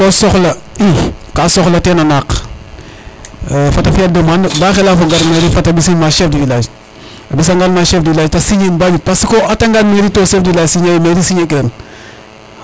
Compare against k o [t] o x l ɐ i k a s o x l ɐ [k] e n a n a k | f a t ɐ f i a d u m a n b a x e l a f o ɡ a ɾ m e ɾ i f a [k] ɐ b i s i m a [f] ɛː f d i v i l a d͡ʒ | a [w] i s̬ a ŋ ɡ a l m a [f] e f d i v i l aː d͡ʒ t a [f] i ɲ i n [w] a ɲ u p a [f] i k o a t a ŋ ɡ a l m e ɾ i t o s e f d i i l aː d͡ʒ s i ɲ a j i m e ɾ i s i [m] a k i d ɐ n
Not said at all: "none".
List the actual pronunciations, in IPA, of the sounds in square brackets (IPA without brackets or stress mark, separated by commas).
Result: s, t, t, ʃ, b, ʃ, s, b, s, ɲ